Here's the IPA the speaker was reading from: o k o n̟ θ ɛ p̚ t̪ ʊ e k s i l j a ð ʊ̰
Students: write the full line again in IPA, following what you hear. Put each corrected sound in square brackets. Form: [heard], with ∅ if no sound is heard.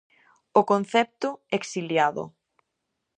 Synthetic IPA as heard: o k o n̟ θ ɛ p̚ t̪ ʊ e k s i l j a ð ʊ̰